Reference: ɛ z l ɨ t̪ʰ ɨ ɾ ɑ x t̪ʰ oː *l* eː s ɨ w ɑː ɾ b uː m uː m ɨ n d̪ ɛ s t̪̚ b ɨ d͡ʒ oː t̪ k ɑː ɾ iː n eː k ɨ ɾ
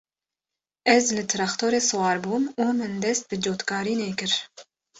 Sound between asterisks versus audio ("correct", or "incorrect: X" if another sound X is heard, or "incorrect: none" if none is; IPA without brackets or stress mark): incorrect: ɾ